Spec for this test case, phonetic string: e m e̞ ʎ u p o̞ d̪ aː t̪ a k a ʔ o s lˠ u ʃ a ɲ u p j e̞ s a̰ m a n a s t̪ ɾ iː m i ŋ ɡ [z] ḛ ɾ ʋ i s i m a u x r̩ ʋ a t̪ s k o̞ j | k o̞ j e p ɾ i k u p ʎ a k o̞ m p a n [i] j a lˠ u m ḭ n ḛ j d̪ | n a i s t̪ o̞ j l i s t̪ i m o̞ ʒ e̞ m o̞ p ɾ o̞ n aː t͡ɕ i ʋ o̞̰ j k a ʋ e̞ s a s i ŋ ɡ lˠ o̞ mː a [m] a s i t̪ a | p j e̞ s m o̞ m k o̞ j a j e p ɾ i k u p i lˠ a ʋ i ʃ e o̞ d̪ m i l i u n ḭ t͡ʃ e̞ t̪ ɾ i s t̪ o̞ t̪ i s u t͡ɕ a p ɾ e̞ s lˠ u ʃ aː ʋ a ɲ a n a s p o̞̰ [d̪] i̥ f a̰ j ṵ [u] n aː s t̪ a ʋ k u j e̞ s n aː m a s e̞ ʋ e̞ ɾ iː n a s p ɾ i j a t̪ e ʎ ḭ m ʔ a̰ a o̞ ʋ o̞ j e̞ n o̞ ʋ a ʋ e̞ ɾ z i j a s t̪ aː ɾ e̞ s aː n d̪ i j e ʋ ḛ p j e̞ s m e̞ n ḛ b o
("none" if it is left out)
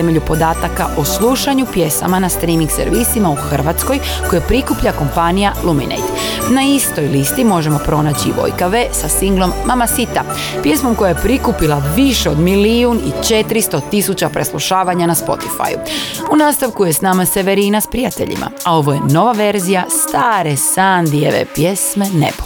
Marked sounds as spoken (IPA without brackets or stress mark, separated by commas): s, i, m, t̪, u